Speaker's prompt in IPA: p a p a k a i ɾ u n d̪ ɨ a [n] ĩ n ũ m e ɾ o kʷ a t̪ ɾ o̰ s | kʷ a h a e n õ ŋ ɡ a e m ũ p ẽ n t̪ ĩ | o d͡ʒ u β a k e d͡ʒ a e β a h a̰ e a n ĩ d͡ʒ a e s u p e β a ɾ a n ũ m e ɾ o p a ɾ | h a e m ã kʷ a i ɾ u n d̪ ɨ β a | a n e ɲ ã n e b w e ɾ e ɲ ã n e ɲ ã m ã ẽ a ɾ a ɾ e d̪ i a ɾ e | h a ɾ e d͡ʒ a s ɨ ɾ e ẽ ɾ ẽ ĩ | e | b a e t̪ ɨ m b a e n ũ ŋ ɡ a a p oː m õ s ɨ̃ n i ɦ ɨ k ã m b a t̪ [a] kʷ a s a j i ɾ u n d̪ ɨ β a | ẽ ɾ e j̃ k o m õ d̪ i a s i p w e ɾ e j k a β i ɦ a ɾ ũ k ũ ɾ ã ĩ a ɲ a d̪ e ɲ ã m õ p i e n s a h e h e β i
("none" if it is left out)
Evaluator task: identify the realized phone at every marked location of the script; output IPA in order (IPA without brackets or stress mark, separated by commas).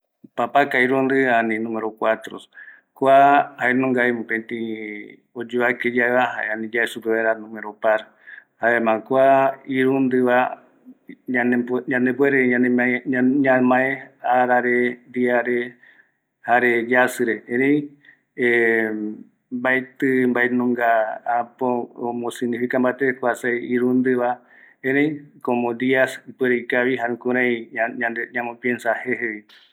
n, e